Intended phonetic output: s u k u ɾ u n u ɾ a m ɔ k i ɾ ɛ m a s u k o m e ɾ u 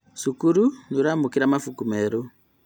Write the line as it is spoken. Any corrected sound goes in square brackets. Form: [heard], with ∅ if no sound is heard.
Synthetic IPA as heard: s u k u ɾ u n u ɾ a m [u] k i ɾ [a] m a [f] u k [u] m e ɾ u